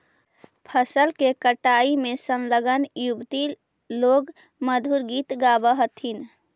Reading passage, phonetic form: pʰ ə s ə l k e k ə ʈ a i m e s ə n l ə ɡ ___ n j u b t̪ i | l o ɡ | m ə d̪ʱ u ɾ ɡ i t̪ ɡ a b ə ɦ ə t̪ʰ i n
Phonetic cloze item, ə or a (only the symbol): ə